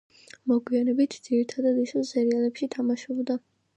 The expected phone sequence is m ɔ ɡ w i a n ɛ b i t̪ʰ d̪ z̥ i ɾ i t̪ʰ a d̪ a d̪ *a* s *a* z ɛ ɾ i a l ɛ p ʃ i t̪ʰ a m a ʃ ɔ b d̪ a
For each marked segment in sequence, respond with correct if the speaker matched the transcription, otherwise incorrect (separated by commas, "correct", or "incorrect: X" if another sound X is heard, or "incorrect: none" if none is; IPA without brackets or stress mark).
incorrect: i, incorrect: ɛ